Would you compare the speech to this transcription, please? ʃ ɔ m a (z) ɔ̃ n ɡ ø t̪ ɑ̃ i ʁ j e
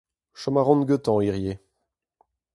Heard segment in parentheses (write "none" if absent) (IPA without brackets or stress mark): ʁ